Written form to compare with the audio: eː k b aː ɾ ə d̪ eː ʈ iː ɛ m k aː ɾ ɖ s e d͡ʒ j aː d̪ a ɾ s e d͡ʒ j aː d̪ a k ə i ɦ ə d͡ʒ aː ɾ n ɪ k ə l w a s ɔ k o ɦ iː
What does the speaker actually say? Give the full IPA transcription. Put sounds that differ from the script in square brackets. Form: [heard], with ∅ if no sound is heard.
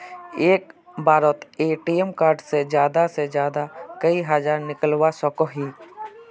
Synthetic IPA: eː k b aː ɾ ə [t̪] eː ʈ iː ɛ m k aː ɾ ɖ s e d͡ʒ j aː d̪ a [∅] s e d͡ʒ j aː d̪ a k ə i ɦ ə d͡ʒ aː ɾ n ɪ k ə l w a s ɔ k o ɦ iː